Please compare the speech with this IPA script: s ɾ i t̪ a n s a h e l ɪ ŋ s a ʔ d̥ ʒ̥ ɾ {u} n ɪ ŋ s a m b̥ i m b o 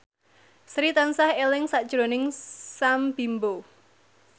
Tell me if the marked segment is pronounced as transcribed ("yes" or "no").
no